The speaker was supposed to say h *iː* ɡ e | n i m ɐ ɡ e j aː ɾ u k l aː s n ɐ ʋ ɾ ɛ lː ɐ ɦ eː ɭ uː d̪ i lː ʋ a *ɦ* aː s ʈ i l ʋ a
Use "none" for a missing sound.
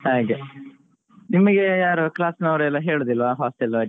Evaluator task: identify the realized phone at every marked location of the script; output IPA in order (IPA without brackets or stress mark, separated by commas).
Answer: aː, ɦ